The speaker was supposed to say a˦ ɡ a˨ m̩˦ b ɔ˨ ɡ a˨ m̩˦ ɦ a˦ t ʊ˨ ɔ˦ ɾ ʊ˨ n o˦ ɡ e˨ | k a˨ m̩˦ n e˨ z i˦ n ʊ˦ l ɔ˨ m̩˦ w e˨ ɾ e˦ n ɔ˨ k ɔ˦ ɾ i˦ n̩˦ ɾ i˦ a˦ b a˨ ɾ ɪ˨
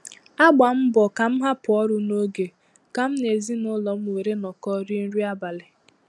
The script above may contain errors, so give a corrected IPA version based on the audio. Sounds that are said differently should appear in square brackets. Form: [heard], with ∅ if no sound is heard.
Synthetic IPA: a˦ [ɡ͡b] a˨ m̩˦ b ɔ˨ [k] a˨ m̩˦ ɦ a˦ [p] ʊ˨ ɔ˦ ɾ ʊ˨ n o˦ ɡ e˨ | k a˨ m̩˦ n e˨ z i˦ n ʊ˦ l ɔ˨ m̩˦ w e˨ ɾ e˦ n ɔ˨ k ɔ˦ ɾ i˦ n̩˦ ɾ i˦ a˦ b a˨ [l] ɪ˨